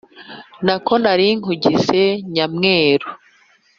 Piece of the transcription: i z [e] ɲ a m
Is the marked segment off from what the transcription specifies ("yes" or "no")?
no